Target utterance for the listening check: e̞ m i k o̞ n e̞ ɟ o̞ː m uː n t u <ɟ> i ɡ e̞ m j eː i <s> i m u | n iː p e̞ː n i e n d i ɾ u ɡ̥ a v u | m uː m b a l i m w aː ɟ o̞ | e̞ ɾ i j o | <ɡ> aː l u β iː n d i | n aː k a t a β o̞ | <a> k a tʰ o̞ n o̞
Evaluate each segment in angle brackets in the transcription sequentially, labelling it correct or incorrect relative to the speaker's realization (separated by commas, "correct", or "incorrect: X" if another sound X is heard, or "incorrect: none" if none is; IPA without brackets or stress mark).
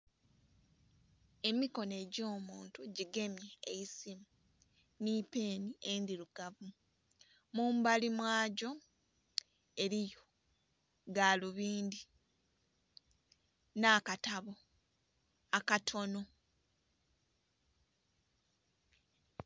correct, correct, correct, correct